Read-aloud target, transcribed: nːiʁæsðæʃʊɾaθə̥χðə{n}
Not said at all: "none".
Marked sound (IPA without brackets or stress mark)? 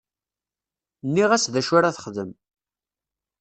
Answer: m